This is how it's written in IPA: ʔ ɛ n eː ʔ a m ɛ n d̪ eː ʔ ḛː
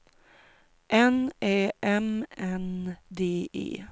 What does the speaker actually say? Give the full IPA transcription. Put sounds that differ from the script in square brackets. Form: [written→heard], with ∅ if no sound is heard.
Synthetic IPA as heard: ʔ ɛ n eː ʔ [a→ɛ] m ɛ n d̪ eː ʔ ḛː